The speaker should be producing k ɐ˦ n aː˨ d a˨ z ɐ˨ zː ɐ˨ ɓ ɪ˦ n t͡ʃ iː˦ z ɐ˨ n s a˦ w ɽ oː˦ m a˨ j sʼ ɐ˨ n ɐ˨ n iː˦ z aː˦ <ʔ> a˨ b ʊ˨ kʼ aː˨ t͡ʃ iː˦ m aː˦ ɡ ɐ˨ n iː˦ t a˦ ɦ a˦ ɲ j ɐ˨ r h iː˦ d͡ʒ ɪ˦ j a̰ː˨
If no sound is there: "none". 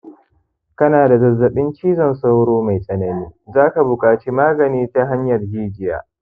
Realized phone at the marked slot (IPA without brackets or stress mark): k